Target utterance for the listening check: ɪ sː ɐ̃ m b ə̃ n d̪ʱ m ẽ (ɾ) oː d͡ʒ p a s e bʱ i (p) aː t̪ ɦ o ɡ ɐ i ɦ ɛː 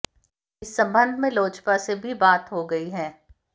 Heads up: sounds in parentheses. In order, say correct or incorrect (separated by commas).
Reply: incorrect, incorrect